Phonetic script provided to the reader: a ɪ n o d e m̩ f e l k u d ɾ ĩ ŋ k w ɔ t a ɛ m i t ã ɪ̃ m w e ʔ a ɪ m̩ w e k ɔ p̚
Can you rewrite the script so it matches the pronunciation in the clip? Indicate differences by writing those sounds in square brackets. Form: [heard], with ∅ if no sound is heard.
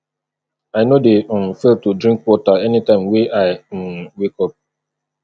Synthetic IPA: a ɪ n o d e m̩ f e l [t] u d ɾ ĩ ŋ k w ɔ t a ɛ [n] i t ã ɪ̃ m w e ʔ a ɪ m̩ w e k ɔ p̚